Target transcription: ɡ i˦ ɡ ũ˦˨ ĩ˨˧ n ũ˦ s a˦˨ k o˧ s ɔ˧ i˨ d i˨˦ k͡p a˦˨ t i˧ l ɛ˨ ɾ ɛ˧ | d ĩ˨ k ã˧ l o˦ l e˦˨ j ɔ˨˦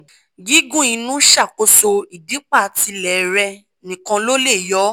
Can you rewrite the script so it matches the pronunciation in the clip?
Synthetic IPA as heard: ɡ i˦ ɡ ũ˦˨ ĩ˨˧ n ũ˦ ʃ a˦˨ k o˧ s o˧ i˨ d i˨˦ k͡p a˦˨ t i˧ l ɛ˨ ɾ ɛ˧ | n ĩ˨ k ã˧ l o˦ l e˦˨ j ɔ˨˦

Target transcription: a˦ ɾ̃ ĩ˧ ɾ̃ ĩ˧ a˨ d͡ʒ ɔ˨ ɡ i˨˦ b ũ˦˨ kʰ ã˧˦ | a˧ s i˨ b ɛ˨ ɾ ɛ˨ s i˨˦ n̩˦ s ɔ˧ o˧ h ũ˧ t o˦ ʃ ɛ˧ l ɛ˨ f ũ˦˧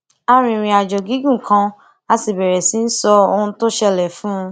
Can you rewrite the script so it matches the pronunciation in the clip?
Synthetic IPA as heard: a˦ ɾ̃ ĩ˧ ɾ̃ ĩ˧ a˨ d͡ʒ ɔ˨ ɡ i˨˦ ɡ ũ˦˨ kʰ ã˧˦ | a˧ s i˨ b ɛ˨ ɾ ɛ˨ s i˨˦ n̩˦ s ɔ˧ o˧ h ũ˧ t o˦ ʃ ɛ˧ l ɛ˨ f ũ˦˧

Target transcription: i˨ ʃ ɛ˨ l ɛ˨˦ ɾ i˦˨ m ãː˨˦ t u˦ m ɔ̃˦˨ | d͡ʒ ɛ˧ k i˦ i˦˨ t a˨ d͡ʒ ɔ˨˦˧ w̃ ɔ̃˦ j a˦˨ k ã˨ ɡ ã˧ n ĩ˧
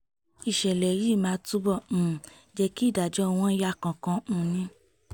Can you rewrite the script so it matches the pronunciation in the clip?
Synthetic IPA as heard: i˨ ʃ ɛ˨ l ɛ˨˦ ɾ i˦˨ m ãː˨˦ t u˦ b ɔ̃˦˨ | d͡ʒ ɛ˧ k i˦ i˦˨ d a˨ d͡ʒ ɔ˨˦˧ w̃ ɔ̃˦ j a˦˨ k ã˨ k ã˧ n ĩ˧

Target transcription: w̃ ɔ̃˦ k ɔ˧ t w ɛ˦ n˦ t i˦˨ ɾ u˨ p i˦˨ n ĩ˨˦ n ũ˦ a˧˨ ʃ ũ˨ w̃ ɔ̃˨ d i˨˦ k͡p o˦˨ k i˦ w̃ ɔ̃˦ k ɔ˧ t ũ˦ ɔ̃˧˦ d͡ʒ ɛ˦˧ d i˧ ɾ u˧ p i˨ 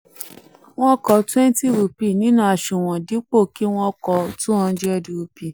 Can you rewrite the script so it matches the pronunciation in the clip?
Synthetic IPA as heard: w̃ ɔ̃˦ k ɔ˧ t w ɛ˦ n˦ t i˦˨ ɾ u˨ p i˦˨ n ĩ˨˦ n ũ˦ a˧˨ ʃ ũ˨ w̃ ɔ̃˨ d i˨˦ k͡p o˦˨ k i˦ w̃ ɔ̃˦ k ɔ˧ t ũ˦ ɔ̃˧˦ d͡ʒ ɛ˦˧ d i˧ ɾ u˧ p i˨

